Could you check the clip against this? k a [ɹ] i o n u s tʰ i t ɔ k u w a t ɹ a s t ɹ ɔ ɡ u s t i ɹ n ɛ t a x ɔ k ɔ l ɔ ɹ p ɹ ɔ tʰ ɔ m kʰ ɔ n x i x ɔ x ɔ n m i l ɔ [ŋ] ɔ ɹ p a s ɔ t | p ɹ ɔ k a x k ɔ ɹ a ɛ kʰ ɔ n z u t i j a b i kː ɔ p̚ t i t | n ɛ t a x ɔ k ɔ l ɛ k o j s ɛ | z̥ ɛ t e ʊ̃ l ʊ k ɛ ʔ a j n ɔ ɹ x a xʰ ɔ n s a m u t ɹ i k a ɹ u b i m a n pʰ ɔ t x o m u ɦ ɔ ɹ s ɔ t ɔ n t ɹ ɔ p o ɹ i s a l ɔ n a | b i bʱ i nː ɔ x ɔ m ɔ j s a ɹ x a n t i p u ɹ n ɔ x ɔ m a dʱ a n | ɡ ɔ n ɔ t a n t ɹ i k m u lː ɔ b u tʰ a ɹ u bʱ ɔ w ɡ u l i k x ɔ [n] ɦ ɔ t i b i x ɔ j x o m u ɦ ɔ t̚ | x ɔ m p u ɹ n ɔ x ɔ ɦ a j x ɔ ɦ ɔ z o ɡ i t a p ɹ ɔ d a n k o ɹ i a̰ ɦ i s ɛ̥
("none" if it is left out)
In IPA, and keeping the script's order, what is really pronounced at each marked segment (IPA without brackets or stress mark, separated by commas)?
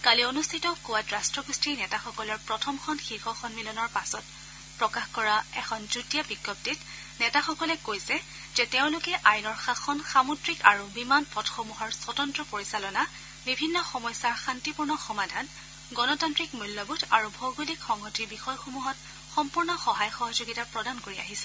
l, n, ŋ